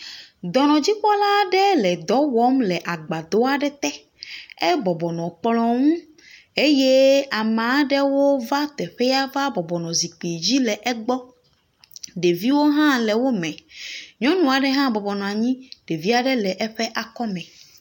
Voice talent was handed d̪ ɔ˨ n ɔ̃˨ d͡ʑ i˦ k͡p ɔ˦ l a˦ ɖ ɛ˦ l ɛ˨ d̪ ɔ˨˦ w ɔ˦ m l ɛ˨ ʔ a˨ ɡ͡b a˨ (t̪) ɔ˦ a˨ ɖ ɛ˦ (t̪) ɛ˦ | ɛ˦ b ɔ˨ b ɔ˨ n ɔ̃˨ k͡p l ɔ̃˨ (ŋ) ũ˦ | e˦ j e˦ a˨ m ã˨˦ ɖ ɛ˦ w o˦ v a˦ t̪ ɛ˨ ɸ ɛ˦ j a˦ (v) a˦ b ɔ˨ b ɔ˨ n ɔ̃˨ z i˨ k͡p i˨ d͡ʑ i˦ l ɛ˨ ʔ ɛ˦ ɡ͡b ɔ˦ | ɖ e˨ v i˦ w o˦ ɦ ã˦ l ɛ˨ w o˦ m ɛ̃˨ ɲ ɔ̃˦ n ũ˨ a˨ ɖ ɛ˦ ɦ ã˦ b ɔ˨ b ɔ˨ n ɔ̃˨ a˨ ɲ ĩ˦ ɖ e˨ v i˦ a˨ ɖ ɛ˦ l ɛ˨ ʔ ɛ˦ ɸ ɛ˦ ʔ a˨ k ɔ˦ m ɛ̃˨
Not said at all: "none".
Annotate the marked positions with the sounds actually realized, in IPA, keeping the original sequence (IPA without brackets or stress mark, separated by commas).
d̪, t̪, ŋ, v